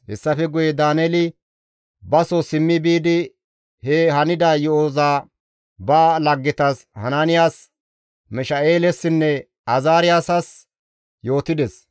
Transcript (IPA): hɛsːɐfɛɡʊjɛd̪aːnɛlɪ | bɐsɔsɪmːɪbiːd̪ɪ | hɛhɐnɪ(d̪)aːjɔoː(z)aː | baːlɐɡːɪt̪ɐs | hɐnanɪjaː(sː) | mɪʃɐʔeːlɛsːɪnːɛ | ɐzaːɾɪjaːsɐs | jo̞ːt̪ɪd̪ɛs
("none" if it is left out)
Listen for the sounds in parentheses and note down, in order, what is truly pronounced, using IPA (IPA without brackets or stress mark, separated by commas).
d̪, z, s